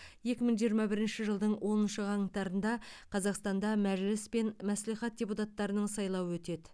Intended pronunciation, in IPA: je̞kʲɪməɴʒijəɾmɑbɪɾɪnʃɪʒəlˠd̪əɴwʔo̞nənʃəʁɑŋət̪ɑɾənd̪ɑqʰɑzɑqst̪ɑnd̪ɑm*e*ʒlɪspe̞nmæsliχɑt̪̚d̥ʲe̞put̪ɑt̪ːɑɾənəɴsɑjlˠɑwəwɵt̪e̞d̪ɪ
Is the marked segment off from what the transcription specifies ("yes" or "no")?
yes